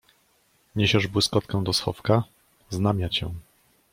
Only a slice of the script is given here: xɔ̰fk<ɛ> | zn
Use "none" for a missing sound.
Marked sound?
a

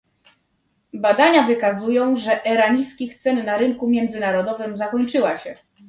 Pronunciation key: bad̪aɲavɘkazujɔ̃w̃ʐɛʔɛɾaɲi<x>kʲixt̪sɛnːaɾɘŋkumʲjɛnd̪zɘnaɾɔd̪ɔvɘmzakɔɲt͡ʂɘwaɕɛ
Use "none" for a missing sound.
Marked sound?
s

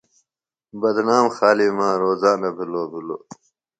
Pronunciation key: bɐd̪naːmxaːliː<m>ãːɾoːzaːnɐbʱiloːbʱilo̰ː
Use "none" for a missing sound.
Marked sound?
m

